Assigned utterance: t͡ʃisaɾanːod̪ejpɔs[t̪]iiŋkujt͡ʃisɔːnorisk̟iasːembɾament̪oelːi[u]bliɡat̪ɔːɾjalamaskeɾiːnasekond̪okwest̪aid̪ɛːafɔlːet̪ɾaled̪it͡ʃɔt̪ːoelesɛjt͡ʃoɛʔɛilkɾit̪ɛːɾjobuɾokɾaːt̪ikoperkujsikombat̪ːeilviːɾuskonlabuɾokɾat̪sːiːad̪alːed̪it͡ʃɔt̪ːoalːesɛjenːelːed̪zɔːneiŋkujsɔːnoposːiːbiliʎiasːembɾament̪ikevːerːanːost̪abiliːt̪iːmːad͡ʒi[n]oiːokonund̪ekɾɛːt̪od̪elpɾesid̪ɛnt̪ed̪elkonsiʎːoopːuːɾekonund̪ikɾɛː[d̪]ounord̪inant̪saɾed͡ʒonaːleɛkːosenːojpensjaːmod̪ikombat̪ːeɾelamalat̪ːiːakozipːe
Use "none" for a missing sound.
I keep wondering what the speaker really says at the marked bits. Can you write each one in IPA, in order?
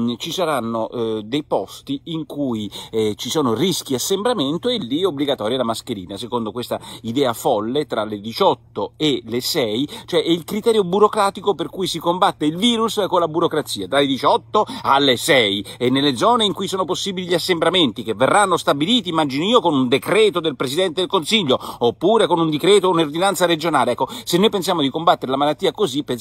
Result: t̪, o, n, t̪

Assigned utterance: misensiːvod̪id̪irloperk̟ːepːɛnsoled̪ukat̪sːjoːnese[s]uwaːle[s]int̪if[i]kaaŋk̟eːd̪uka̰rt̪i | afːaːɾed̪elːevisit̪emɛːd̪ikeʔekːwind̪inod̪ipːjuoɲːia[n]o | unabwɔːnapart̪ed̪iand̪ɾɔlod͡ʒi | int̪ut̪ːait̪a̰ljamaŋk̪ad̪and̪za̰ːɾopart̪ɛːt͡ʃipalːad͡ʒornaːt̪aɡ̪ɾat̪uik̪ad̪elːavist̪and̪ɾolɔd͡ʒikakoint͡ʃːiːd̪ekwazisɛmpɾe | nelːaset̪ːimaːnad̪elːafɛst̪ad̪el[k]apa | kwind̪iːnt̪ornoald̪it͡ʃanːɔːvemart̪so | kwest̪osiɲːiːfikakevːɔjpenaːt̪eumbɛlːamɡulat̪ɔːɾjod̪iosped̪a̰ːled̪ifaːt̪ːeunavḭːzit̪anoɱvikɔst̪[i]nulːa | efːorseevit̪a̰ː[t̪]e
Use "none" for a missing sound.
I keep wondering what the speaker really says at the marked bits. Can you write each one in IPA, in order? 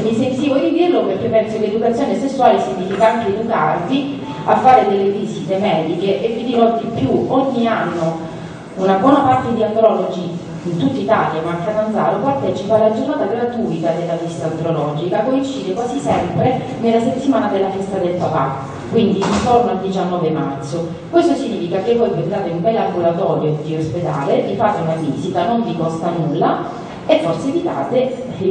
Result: sː, s, i, nː, p, a, t̪

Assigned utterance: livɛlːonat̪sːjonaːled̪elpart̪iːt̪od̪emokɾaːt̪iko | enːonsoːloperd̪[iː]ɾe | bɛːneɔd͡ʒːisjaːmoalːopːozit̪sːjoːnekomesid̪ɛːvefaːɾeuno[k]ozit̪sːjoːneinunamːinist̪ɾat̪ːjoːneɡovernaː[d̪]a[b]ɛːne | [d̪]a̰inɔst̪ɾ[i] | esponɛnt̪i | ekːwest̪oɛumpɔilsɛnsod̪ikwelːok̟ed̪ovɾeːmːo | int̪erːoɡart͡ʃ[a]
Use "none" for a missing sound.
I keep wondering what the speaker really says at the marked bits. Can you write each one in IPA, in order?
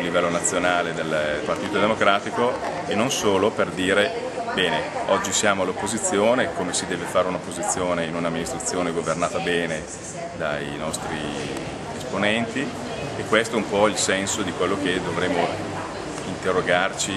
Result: iː, p, t̪, b, d̪, i, i

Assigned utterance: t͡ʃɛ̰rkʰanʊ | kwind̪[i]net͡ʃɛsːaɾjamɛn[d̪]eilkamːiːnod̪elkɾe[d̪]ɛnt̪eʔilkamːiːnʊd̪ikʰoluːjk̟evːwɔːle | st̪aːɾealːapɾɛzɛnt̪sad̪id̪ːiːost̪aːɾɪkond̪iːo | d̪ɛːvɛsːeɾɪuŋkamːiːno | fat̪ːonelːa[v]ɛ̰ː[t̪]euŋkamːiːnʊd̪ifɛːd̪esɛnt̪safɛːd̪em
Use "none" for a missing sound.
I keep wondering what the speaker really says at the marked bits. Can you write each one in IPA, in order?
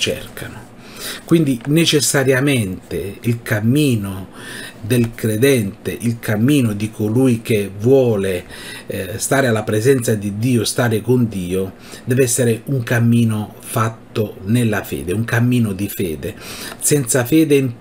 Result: i, t̪, d̪, f, d̪

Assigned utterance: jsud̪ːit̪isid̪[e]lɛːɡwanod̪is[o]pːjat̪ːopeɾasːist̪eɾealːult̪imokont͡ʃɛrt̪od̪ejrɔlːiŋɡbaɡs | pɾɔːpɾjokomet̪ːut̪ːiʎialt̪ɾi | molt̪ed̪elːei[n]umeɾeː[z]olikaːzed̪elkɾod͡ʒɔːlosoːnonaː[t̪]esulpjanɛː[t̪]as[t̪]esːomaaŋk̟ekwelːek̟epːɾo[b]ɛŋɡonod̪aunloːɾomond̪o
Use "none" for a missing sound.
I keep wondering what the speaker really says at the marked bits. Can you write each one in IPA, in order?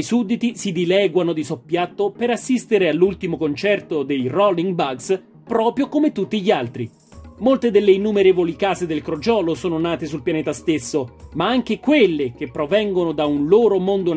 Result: i, o, nː, v, t̪, t̪, t̪, v

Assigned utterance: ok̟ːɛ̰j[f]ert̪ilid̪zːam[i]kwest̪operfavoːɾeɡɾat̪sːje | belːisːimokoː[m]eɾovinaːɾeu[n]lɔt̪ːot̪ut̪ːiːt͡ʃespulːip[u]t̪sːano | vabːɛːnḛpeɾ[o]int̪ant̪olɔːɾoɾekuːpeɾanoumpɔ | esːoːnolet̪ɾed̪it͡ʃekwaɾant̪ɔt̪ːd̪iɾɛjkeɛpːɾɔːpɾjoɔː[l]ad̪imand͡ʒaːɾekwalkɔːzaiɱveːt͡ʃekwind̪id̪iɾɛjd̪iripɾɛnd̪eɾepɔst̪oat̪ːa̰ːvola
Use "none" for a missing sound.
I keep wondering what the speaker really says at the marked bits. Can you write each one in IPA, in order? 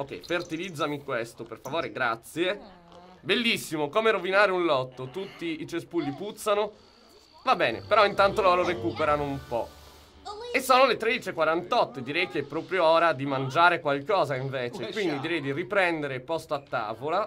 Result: f, i, m, n, u, ɔ, ɾ

